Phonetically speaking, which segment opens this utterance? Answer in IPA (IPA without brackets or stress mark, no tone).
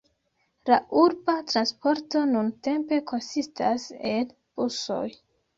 l